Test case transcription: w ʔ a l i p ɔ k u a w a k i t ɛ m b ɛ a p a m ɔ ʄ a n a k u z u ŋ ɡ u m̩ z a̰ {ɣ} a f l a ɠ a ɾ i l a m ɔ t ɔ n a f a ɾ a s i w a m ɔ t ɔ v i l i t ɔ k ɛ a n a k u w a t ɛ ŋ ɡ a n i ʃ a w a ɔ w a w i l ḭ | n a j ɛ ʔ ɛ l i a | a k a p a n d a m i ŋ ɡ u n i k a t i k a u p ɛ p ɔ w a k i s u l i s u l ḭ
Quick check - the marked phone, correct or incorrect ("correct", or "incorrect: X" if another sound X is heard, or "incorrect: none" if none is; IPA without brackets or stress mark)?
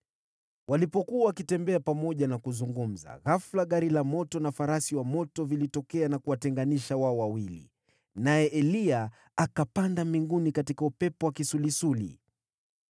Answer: correct